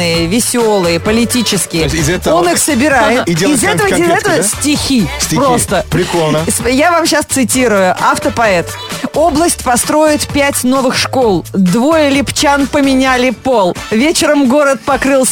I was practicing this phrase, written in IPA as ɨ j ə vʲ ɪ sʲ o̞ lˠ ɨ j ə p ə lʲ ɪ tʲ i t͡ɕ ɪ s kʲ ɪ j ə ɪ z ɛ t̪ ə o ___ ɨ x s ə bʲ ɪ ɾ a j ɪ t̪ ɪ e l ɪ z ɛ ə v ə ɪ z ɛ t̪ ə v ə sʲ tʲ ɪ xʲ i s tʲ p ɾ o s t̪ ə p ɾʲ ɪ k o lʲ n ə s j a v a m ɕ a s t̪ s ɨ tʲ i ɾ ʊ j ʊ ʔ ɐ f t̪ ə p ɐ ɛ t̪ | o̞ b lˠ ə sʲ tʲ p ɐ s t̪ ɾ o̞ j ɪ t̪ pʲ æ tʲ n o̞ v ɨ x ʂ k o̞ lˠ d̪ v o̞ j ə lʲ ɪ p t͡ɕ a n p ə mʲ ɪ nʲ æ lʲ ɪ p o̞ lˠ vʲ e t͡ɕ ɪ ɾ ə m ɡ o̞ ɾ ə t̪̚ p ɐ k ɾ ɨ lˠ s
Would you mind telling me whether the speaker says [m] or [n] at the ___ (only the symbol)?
n